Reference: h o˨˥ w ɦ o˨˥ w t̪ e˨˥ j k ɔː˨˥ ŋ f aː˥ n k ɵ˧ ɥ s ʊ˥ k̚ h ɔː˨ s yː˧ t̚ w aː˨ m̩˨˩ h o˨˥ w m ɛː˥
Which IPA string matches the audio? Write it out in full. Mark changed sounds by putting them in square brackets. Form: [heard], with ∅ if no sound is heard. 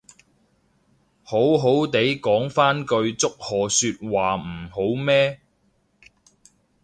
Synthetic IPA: h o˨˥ w ɦ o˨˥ w t̪ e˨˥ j k ɔː˨˥ ŋ f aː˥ n k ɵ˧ ɥ [t͡s] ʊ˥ k̚ h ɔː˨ s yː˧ t̚ w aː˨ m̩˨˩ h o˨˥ w m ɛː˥